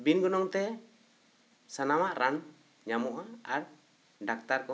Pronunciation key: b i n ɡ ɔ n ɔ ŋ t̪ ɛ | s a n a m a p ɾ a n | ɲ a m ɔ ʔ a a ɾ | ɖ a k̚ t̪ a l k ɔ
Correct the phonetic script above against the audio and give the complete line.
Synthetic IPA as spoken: b i n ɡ ɔ n ɔ ŋ t̪ ɛ | s a n a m a ʔ ɾ a n | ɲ a m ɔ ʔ a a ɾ | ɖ a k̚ t̪ a ɾ k ɔ